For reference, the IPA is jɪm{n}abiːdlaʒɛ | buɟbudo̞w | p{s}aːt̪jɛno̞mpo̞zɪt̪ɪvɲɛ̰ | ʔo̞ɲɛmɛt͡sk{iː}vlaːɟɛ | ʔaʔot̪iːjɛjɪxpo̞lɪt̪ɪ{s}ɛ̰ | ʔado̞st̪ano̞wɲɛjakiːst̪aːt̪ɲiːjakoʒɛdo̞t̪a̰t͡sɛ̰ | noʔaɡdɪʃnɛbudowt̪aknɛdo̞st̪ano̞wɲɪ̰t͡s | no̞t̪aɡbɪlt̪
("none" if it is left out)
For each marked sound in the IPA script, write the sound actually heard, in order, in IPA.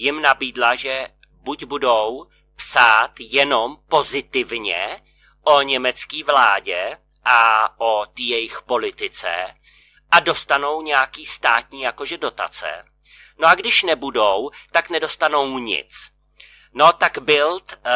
n, s, iː, t͡s

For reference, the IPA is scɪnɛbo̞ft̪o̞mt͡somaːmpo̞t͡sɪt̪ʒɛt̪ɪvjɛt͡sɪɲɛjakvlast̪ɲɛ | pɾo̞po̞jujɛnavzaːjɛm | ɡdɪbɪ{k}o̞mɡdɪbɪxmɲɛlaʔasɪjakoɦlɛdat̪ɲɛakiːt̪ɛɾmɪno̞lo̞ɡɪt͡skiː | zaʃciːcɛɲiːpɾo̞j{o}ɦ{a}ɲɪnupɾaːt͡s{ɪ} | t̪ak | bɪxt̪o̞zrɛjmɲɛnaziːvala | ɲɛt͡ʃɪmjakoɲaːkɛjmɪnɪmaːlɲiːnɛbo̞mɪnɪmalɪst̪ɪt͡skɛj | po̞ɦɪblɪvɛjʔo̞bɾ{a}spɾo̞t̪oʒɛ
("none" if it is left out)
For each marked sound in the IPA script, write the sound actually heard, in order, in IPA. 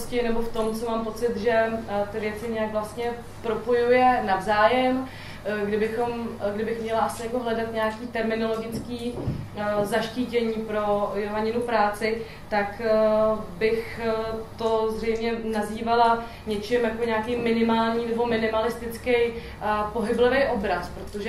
x, o, a, ɪ, a

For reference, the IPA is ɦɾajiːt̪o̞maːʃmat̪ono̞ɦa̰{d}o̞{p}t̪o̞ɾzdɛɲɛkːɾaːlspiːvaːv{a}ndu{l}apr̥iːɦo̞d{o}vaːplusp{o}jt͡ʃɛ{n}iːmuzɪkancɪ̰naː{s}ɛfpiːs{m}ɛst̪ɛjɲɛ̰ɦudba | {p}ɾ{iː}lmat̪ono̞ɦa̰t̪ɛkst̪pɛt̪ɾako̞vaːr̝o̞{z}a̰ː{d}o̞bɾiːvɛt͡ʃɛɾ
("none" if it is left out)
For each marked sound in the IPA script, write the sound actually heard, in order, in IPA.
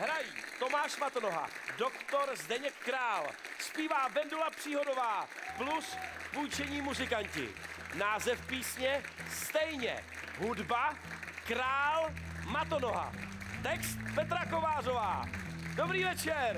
d, k, ɛ, l, o, u, ɲ, z, ɲ, k, aː, v, d

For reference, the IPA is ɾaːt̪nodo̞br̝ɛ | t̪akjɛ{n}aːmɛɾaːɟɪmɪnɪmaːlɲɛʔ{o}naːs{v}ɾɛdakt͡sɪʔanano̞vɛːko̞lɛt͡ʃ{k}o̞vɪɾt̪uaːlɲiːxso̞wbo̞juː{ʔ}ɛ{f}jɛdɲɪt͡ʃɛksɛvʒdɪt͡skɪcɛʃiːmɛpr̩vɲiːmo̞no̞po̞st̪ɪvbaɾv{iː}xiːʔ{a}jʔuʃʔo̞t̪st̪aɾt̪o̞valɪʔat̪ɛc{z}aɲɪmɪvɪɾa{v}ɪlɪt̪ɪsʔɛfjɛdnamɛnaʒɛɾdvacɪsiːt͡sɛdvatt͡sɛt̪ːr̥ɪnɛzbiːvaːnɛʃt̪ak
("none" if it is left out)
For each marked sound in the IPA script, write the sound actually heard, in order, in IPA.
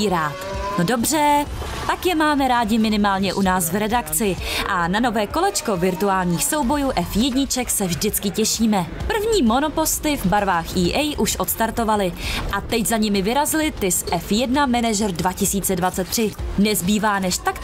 m, u, v, k, ʔ, f, aː, ɛ, z, z

